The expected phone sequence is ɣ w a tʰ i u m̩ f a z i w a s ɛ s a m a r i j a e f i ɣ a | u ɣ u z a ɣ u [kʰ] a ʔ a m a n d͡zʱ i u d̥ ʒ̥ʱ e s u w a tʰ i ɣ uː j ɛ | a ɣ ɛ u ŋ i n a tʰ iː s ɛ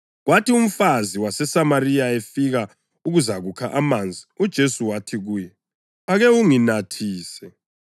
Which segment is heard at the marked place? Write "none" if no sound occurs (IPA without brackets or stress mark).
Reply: kʰ